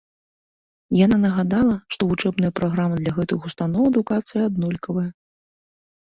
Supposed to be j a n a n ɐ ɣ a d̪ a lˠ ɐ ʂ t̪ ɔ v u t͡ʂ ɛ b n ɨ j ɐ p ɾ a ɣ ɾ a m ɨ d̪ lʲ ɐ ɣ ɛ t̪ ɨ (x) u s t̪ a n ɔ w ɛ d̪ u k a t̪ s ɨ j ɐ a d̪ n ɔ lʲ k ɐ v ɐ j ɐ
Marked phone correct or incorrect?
correct